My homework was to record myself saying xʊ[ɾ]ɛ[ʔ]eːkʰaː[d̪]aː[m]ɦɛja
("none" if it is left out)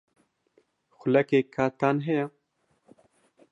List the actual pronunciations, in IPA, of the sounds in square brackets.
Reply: l, k, t̪, n

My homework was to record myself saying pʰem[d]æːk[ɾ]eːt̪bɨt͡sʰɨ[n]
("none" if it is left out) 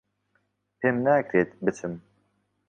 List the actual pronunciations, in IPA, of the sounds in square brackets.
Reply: n, ɾ, m

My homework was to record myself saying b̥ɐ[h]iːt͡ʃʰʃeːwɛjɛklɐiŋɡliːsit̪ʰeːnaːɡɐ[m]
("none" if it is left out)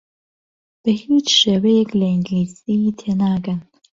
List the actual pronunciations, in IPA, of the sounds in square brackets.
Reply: h, n

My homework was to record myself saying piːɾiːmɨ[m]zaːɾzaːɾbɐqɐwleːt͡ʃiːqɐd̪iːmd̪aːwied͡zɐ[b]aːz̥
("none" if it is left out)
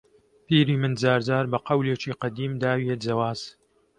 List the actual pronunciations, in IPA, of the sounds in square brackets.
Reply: n, w

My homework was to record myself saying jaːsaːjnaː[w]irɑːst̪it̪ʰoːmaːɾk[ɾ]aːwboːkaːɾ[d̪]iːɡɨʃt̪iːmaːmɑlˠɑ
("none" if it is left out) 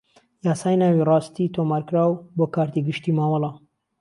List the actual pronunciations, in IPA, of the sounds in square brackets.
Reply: w, ɾ, t̪

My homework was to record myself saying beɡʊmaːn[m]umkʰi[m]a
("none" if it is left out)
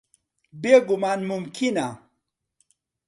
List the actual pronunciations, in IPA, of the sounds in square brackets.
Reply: m, n

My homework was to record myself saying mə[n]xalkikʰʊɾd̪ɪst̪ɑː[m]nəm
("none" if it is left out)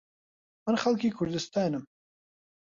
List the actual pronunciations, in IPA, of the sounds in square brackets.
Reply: n, none

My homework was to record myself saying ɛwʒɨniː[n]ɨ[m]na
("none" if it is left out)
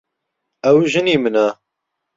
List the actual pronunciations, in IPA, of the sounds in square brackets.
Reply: m, none

